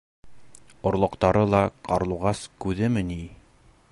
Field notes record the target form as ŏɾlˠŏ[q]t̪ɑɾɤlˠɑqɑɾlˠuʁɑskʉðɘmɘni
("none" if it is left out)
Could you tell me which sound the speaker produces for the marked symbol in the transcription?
q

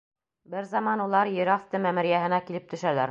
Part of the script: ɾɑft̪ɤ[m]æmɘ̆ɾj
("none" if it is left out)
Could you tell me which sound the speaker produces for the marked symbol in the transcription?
m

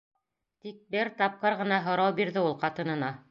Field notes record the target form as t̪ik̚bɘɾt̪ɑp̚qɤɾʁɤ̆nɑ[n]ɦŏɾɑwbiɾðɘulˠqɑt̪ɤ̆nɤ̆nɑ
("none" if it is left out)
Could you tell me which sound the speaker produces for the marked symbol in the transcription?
none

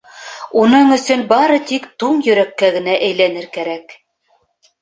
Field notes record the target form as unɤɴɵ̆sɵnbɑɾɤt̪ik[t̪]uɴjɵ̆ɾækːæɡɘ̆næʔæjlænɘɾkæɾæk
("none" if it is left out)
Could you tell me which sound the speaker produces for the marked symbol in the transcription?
t̪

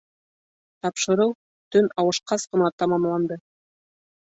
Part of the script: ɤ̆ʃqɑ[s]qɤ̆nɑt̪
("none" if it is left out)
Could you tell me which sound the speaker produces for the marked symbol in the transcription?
s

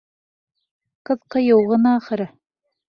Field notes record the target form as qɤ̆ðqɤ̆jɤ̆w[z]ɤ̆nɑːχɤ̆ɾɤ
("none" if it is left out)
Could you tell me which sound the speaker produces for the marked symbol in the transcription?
ʁ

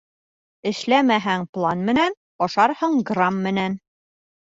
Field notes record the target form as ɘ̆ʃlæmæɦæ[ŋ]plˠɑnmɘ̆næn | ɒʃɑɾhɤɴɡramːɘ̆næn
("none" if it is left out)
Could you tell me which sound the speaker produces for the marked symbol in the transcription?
ŋ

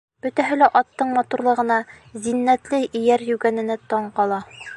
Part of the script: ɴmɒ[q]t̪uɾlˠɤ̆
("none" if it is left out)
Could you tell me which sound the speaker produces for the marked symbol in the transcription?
none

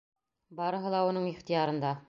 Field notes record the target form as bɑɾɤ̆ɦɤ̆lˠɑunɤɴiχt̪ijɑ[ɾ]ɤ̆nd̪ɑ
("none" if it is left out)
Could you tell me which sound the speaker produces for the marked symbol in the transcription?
ɾ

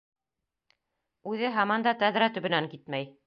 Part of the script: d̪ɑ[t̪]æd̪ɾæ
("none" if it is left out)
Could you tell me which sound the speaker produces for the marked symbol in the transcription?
t̪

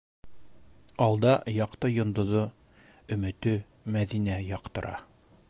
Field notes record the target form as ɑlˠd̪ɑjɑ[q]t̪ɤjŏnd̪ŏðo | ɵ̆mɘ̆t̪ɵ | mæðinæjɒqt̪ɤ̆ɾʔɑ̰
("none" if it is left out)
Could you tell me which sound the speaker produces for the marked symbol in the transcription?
q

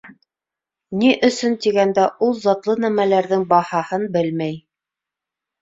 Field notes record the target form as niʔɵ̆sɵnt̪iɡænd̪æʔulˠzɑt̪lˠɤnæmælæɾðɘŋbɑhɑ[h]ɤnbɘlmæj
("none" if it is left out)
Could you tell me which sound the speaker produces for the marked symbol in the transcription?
h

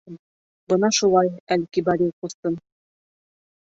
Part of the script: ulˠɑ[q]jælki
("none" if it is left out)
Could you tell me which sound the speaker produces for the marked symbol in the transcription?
none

